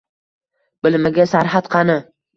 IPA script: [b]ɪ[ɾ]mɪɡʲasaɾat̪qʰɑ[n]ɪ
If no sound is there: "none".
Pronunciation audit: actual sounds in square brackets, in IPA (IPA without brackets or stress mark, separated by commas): b, l, n